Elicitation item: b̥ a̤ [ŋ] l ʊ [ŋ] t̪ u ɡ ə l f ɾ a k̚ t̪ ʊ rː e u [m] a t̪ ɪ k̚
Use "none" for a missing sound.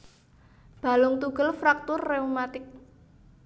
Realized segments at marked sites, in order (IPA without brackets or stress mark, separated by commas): none, ŋ, m